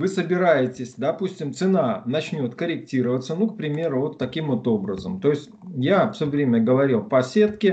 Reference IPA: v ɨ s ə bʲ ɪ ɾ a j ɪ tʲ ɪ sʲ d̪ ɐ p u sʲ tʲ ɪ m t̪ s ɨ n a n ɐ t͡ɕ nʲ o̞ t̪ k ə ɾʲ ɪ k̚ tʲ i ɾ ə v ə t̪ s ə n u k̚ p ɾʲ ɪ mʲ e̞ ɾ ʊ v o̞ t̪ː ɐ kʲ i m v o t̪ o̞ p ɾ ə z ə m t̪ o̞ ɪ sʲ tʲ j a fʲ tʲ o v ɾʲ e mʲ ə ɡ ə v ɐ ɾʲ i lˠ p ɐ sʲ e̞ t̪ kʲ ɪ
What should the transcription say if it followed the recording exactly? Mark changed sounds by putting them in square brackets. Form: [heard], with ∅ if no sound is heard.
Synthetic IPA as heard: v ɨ s ə bʲ ɪ ɾ a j ɪ tʲ ɪ sʲ d̪ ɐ p u sʲ tʲ ɪ m t̪ s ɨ n a n ɐ t͡ɕ nʲ o̞ t̪ k ə ɾʲ ɪ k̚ tʲ i ɾ ə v ə t̪ s ə n u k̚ p ɾʲ ɪ mʲ e̞ ɾ ʊ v o̞ t̪ː ɐ kʲ i m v o t̪ o̞ [b] ɾ ə z ə m t̪ o̞ ɪ sʲ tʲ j a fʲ [sʲ] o v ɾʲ e mʲ ə ɡ ə v ɐ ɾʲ i lˠ p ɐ sʲ e̞ t̪ kʲ ɪ

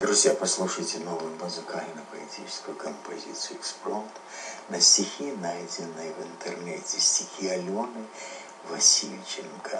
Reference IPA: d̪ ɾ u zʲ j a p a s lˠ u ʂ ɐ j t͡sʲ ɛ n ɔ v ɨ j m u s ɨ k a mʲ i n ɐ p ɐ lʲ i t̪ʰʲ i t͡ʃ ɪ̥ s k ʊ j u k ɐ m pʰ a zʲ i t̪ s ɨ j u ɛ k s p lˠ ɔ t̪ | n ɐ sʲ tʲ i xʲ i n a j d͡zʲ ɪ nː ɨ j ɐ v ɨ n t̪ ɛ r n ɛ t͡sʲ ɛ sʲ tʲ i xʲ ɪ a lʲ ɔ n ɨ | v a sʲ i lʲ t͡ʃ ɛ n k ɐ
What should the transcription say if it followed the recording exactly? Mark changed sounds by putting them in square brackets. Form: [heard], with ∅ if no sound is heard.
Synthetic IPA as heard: d̪ ɾ u zʲ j a p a s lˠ u ʂ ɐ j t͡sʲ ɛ n ɔ v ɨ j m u [z] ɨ k a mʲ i n ɐ p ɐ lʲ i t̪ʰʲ i t͡ʃ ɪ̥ s k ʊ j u k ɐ m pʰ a zʲ i t̪ s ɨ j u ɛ k s p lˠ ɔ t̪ | n ɐ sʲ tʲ i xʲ i n a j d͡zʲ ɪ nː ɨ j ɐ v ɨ n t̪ ɛ r n ɛ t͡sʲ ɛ sʲ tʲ i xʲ [i] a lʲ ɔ n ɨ | v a sʲ i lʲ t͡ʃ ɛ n k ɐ

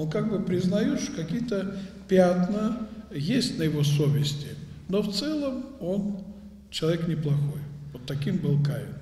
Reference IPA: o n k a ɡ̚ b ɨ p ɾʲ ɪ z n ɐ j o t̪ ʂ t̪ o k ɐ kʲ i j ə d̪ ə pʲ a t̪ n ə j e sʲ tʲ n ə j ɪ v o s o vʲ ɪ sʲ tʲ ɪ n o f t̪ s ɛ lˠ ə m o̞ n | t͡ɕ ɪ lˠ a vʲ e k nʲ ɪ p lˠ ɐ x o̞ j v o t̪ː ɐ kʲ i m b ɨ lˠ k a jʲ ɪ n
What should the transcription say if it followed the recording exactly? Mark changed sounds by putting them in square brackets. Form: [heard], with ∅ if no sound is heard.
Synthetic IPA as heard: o n k a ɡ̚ b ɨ p ɾʲ ɪ z n ɐ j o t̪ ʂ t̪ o k ɐ kʲ i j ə [t̪] ə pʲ a t̪ n ə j e sʲ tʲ n ə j ɪ v o s o vʲ ɪ sʲ tʲ ɪ n o f t̪ s ɛ lˠ ə m o̞ n | t͡ɕ ɪ lˠ [ɐ] vʲ e k nʲ ɪ p lˠ ɐ x o̞ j v o t̪ː ɐ kʲ i m b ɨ lˠ k a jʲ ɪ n

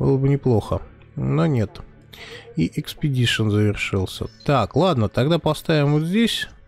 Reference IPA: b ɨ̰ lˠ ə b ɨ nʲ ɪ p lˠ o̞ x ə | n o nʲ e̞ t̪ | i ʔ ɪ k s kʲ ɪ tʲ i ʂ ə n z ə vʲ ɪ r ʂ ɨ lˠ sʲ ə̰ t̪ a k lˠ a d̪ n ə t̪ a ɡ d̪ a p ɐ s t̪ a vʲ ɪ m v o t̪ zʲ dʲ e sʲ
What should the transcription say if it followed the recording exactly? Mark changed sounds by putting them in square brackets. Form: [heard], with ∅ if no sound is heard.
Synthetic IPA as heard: b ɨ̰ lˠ ə b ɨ nʲ ɪ p lˠ o̞ x ə | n o nʲ e̞ t̪ | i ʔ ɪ k s [pʲ] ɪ [dʲ] i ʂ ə n z ə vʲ ɪ r ʂ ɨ lˠ sʲ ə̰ t̪ a k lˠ a d̪ n ə t̪ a ɡ d̪ a p ɐ s t̪ a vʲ ɪ m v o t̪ zʲ dʲ e sʲ

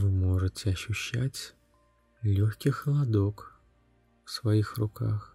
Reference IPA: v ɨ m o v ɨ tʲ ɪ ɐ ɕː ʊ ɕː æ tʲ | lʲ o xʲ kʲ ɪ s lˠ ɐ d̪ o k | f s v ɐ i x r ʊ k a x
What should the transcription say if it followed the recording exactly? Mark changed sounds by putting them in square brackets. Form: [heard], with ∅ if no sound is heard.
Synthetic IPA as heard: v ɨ m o [ʐ] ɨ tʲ ɪ ɐ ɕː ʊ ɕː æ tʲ | lʲ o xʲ kʲ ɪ [x] lˠ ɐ d̪ o k | f s v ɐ i x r ʊ k a x

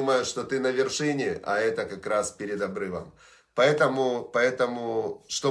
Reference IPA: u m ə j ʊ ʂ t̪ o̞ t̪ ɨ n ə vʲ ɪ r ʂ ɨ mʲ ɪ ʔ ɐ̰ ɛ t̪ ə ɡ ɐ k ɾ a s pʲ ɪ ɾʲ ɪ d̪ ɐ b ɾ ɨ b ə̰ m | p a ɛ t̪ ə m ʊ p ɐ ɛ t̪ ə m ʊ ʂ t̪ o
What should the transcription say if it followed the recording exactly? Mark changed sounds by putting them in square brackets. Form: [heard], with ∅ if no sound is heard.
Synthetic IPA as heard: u m ə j ʊ ʂ t̪ o̞ t̪ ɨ n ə vʲ ɪ r ʂ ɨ [nʲ] ɪ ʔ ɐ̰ ɛ t̪ ə [k] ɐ k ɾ a s pʲ ɪ ɾʲ ɪ d̪ ɐ b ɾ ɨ [v] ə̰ m | p [ɐ] ɛ t̪ ə m ʊ p ɐ ɛ t̪ ə m ʊ ʂ t̪ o

